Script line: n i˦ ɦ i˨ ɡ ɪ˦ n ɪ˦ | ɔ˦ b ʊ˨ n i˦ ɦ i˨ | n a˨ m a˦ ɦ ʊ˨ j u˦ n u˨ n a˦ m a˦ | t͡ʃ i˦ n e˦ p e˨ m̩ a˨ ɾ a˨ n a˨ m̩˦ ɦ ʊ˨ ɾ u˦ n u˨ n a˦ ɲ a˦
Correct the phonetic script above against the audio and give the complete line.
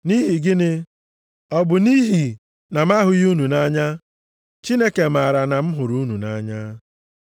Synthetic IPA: n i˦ ɦ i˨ ɡ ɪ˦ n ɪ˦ | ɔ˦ b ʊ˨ n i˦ ɦ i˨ | n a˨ m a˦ ɦ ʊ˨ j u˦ n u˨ n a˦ ɲ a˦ | t͡ʃ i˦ n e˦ k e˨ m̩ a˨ ɾ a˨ n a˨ m̩˦ ɦ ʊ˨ ɾ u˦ n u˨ n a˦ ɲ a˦

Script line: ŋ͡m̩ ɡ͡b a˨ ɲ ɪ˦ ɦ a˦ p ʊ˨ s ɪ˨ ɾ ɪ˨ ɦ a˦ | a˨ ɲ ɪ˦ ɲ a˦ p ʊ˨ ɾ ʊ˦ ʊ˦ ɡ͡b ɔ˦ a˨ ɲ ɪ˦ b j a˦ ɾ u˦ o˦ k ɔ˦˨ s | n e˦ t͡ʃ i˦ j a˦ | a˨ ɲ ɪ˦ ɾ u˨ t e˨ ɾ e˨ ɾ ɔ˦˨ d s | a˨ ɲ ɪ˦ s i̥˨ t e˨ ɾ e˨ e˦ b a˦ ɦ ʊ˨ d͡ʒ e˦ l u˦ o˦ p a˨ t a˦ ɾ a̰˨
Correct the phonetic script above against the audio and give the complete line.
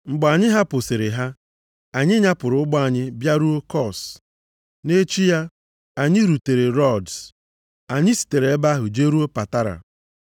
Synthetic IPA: ŋ͡m̩ ɡ͡b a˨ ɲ ɪ˦ ɦ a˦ p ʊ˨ s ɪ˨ ɾ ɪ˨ ɦ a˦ | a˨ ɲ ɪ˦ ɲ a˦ p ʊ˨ ɾ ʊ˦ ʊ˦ ɡ͡b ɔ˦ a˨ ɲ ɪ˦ b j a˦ ɾ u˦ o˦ k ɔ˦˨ s | n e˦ t͡ʃ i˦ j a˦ | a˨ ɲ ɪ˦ ɾ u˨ t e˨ ɾ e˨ ɾ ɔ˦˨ d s | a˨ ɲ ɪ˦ s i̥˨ t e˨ ɾ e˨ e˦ b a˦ ɦ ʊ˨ d͡ʒ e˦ ɾ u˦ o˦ p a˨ t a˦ ɾ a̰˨

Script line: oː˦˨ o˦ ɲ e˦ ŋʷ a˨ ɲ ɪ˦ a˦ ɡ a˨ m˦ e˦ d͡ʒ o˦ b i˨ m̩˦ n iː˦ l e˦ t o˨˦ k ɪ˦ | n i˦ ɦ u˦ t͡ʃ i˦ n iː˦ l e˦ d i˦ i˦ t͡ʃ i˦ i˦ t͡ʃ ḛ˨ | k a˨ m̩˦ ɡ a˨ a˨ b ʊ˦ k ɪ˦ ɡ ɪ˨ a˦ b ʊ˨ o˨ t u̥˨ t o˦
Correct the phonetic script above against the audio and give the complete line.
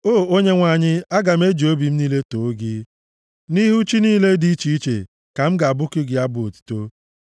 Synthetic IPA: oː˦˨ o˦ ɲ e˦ ŋʷ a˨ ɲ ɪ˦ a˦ ɡ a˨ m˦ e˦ d͡ʒ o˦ b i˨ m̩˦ n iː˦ l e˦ t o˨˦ ɡ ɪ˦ | n i˦ ɦ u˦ t͡ʃ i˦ n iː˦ l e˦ d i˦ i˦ t͡ʃ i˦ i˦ t͡ʃ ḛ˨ | k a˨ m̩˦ ɡ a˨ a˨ b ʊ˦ k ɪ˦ ɡ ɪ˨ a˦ b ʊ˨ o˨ t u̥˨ t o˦

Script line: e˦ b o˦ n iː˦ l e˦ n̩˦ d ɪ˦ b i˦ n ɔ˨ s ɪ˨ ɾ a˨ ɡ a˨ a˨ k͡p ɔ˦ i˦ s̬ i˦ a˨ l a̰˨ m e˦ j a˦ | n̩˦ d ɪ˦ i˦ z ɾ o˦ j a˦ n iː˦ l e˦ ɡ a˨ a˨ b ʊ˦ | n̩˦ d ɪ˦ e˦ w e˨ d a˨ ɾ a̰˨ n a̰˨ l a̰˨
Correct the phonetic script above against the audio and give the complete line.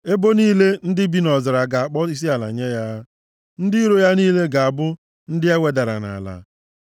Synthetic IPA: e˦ b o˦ n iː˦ l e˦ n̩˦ d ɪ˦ b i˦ n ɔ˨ z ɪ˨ ɾ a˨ ɡ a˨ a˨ k͡p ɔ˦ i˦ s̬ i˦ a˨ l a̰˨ ɲ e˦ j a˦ | n̩˦ d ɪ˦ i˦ ɾ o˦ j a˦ n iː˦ l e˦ ɡ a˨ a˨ b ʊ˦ | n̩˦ d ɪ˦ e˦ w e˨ d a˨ ɾ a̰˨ n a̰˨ l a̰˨

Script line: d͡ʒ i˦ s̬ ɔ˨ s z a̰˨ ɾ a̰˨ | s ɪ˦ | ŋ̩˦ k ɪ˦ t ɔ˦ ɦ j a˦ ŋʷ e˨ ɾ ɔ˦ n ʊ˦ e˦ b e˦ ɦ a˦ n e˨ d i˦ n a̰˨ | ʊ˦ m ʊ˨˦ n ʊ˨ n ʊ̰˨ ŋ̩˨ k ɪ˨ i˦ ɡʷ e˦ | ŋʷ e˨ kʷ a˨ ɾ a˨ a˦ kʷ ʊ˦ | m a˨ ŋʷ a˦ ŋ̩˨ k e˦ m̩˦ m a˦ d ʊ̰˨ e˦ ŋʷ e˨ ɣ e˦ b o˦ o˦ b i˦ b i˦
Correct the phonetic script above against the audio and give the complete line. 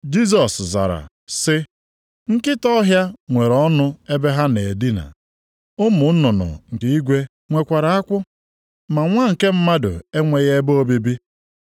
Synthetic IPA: d͡ʒ i˦ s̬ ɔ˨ s z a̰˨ ɾ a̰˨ | s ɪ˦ | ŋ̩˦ k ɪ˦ t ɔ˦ ɦ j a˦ ŋʷ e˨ ɾ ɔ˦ n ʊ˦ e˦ b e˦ ɦ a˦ n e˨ d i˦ n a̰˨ | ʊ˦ m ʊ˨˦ n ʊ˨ n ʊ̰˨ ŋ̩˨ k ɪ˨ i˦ ɡʷ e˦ | ŋʷ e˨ kʷ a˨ ɾ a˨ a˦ kʷ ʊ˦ | m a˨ ŋʷ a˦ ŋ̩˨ k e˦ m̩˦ m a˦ d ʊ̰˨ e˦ ŋʷ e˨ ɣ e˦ b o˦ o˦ b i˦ b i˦

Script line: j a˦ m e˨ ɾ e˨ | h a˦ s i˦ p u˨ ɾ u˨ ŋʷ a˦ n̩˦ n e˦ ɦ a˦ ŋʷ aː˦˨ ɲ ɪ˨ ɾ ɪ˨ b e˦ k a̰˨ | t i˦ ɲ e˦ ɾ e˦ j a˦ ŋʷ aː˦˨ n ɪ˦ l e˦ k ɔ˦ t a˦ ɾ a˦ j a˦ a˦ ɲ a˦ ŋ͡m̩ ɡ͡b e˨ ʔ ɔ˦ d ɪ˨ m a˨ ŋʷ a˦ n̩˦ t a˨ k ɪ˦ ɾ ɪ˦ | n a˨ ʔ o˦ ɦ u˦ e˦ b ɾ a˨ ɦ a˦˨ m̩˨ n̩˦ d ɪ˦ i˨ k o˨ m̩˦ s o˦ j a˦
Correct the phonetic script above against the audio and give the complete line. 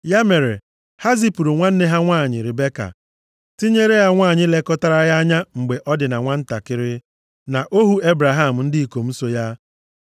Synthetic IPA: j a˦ m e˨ ɾ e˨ | h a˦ z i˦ p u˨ ɾ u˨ ŋʷ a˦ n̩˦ n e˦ ɦ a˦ ŋʷ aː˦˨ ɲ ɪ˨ ɾ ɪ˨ b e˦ k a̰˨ | t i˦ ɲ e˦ ɾ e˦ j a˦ ŋʷ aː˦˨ ɲ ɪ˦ l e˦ k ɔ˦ t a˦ ɾ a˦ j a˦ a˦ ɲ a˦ ŋ͡m̩ ɡ͡b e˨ ʔ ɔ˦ d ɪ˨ n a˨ ŋʷ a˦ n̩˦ t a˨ k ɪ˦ ɾ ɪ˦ | n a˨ ʔ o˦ ɦ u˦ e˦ b ɾ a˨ ɦ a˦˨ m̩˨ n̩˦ d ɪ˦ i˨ k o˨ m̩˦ s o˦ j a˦

